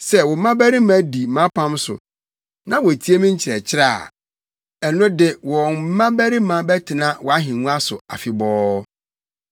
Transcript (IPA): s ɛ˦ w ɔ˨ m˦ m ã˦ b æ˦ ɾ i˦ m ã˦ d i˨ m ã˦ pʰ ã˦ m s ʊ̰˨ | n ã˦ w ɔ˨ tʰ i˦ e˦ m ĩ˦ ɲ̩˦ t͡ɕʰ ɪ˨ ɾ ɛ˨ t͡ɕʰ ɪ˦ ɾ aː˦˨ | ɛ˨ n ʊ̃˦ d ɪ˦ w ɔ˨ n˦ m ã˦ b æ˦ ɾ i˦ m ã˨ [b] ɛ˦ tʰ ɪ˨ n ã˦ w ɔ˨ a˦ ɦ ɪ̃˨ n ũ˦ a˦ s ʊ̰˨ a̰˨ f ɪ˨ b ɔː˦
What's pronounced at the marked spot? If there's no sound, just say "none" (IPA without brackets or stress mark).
b